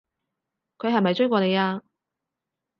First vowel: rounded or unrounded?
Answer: rounded